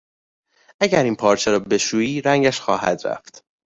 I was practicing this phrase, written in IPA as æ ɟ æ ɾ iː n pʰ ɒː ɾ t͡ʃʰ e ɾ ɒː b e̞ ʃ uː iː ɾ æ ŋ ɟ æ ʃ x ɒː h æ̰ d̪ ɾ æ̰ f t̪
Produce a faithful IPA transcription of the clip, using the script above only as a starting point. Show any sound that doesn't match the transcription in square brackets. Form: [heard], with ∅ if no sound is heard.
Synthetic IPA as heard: æ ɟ æ ɾ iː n pʰ ɒː ɾ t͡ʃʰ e ɾ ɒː b e̞ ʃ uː iː ɾ æ ŋ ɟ æ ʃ x ɒː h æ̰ d̪ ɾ æ̰ f t̪